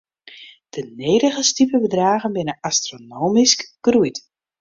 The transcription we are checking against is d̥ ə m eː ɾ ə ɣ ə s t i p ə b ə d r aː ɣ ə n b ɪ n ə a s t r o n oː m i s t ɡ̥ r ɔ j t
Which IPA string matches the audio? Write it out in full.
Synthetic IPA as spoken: d̥ ə n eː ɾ ə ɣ ə s t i p ə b ə d r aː ɣ ə n b ɪ n ə a s t r o n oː m i s k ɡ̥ r u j t